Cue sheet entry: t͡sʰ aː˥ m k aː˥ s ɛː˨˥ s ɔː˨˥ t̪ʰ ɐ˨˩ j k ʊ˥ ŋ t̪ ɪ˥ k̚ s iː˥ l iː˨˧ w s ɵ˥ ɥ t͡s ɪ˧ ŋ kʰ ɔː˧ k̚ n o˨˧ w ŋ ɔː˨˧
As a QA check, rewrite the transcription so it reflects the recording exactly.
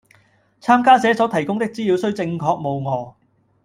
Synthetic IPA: t͡sʰ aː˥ m k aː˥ s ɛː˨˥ s ɔː˨˥ t̪ʰ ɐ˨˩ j k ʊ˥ ŋ t̪ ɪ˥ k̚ t͡s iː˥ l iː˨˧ w s ɵ˥ ɥ t͡s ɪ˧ ŋ kʰ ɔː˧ k̚ m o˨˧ w ŋ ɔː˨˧